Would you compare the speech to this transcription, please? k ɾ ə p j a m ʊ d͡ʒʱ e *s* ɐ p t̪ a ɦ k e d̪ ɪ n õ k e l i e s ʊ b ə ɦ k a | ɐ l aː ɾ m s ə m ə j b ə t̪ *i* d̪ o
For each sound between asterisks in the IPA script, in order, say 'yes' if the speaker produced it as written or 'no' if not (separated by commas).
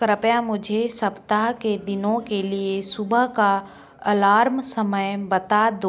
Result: yes, no